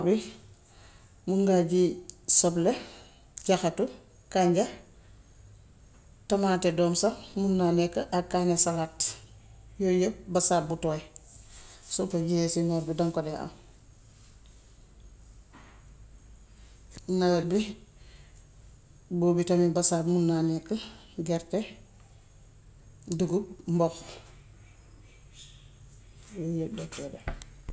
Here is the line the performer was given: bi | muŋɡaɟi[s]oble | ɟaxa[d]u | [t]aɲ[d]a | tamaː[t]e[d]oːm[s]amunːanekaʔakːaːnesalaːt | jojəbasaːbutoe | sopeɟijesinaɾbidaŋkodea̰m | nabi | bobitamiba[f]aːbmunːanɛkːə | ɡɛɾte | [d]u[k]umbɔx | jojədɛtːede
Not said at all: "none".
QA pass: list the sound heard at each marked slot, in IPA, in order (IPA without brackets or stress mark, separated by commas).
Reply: s, t, k, ɟ, t, d, s, s, d, ɡ